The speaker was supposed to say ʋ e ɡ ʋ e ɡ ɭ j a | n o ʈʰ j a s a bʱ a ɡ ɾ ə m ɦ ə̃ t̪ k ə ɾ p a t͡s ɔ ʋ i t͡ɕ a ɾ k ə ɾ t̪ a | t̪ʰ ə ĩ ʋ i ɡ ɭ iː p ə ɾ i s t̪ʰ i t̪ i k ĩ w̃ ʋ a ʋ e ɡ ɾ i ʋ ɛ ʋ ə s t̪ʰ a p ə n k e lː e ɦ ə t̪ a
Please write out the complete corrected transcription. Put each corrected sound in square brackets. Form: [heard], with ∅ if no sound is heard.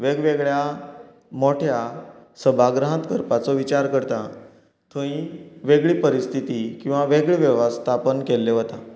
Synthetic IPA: ʋ e ɡ ʋ e ɡ ɭ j a | [m] o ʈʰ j a s [ə] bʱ a ɡ ɾ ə [∅] ɦ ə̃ t̪ k ə ɾ p a t͡s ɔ ʋ i t͡ɕ a ɾ k ə ɾ t̪ a | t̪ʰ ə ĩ ʋ [e] ɡ ɭ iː p ə ɾ i s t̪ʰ i t̪ i k ĩ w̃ ʋ a ʋ e ɡ [ɭ] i ʋ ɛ ʋ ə s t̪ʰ a p ə n k e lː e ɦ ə t̪ a